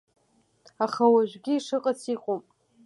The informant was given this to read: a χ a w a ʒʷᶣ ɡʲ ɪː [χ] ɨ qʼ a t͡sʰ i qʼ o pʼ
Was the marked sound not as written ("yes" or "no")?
yes